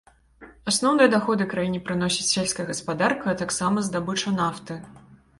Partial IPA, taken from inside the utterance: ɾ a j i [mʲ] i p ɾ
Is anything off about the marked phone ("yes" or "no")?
yes